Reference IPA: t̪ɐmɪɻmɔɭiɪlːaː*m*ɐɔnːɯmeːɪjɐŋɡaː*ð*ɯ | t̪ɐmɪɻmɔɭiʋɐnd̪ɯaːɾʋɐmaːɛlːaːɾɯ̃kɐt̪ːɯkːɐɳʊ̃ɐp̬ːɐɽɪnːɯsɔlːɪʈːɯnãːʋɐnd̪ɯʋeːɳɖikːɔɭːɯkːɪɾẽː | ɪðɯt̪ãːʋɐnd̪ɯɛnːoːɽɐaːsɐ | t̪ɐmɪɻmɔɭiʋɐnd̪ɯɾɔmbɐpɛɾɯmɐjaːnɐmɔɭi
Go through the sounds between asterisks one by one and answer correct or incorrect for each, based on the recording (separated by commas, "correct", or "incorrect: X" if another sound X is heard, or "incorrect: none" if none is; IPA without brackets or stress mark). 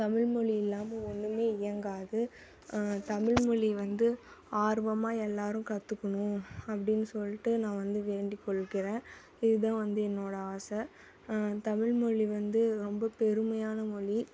correct, correct